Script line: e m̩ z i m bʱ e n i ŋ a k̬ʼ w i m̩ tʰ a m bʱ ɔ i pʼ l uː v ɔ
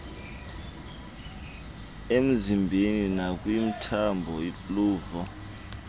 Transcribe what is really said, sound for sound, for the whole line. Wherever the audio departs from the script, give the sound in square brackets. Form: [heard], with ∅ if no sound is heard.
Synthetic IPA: e m̩ z i m bʱ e n i [n] a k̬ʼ w i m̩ tʰ a m bʱ ɔ i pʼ l uː v ɔ